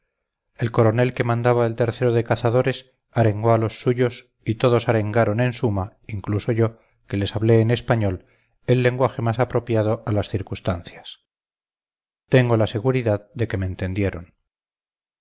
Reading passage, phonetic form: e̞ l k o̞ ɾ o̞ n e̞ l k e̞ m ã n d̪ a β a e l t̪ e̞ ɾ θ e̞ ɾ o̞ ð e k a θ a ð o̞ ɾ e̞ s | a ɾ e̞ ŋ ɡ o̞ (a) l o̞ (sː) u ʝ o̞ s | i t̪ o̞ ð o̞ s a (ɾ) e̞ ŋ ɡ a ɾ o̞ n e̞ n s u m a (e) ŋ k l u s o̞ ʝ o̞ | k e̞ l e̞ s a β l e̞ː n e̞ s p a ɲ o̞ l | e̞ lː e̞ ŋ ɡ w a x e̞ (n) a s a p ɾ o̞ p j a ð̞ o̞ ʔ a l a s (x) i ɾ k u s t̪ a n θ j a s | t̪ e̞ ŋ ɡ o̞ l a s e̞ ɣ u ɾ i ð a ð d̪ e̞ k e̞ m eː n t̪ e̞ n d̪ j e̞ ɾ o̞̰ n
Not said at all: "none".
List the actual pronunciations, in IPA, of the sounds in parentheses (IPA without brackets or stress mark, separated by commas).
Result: a, sː, ɾ, i, m, θ